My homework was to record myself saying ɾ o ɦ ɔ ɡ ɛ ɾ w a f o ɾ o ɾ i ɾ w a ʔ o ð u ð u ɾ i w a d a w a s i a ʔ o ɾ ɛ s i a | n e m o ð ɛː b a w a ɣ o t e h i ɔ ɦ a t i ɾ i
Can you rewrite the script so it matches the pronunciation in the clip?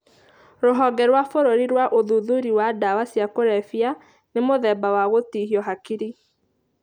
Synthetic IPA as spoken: ɾ o ɦ ɔ ɡ ɛ ɾ w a f o ɾ o ɾ i ɾ w a ʔ o ð u ð u ɾ i w a d a w a s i a k o ɾ ɛ f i a | n e m o ð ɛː b a w a ɣ o t i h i ɔ ɦ a k i ɾ i